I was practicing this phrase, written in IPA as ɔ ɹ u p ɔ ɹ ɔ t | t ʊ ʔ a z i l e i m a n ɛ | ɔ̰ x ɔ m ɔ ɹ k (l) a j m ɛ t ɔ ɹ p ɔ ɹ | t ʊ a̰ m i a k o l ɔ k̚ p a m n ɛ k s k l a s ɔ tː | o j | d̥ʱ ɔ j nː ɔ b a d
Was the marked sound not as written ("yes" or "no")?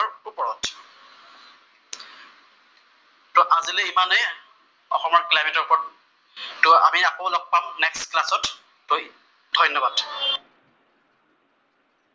no